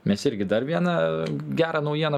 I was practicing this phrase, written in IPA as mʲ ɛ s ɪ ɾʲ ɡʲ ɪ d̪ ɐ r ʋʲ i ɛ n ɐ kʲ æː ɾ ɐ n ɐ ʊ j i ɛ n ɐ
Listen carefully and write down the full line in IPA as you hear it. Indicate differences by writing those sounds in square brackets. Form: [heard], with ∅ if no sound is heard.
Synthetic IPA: mʲ ɛ s ɪ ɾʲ ɡʲ ɪ d̪ ɐ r ʋʲ i ɛ n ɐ [ɡʲ] æː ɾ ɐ n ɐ ʊ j i ɛ n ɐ